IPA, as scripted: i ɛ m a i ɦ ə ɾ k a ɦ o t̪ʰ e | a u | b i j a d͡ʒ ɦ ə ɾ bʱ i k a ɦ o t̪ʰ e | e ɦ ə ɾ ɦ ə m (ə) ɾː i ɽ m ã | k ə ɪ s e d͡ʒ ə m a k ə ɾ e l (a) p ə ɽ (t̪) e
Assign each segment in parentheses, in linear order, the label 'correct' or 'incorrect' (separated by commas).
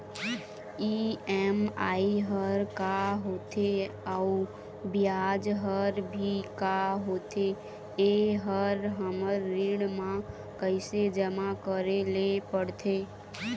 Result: correct, incorrect, incorrect